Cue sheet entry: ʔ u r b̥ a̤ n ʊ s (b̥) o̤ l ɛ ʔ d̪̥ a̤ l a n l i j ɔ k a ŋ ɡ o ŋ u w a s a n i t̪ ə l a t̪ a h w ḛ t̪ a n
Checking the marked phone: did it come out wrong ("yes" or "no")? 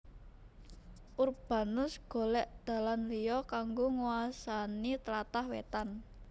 yes